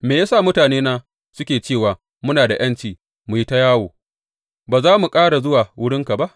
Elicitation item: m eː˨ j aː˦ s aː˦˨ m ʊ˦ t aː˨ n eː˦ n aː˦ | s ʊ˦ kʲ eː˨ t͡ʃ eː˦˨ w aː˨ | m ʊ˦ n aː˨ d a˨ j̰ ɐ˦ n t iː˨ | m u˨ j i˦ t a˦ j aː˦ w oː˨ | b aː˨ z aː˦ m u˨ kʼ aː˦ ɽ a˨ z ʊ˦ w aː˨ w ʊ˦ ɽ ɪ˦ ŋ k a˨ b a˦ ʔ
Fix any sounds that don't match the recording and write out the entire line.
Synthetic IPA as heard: m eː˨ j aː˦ s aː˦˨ m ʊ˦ t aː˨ n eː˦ n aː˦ | s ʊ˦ kʲ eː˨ t͡ʃ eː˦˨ w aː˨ | m ʊ˦ n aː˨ d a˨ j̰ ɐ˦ n t͡ʃ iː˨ | m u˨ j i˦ t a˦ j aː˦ w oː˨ | b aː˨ z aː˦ m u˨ kʼ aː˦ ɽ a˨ z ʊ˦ w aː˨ w ʊ˦ ɽ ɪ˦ ŋ k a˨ b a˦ ʔ